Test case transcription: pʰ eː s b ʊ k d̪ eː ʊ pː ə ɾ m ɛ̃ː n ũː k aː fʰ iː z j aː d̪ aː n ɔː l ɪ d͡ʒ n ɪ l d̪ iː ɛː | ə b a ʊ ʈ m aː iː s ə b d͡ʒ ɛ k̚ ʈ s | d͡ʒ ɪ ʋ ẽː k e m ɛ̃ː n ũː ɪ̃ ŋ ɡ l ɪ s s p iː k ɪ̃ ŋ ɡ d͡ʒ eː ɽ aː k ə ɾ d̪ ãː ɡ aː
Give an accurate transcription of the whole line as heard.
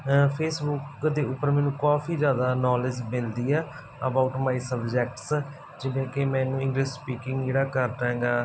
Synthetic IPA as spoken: pʰ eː s b ʊ k d̪ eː ʊ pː ə ɾ m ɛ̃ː n ũː k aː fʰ iː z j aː d̪ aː n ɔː l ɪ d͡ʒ m ɪ l d̪ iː ɛː | ə b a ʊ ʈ m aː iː s ə b d͡ʒ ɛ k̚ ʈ s | d͡ʒ ɪ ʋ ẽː k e m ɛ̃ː n ũː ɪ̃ ŋ ɡ l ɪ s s p iː k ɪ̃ ŋ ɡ d͡ʒ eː ɽ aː k ə ɾ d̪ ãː ɡ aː